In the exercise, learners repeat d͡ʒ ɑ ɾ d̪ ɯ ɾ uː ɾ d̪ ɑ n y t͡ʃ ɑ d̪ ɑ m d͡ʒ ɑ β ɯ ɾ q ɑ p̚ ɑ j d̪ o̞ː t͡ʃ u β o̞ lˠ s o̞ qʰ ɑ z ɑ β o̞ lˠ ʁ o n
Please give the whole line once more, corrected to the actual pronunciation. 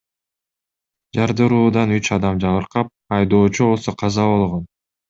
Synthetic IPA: d͡ʒ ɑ ɾ d̪ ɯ ɾ uː d̪ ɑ n y t͡ʃ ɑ d̪ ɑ m d͡ʒ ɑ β ɯ ɾ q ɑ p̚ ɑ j d̪ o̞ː t͡ʃ u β o̞ lˠ s o̞ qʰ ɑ z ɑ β o̞ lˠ ʁ o n